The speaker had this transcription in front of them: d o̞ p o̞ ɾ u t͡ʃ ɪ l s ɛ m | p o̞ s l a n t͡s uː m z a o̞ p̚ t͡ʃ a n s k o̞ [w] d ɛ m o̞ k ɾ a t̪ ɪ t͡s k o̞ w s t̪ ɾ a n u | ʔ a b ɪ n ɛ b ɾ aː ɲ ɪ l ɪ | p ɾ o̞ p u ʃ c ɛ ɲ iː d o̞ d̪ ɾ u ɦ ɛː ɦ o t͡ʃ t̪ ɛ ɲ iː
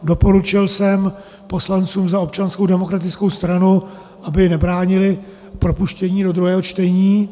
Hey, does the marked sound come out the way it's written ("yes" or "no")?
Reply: yes